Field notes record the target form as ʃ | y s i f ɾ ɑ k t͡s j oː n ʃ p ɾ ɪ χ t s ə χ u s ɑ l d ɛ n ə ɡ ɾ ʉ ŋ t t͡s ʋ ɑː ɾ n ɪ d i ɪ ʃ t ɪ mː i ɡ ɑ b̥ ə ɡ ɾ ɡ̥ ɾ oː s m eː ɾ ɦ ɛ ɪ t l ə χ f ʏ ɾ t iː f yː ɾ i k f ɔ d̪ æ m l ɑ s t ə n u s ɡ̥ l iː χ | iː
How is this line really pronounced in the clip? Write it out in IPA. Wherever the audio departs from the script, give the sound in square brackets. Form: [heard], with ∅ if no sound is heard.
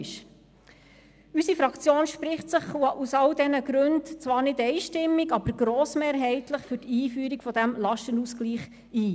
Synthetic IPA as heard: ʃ | y s i f ɾ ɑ k t͡s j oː n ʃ p ɾ ɪ χ t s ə χ u s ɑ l d ɛ n ə ɡ ɾ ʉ [n] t t͡s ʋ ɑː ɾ n ɪ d [ɛ] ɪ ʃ t ɪ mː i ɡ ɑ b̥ ə [∅] ɾ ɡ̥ ɾ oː s m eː ɾ ɦ ɛ ɪ t l ə χ f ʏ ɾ t iː f yː ɾ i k f ɔ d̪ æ m l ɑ [ʃ] t ə n u s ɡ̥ l iː χ | iː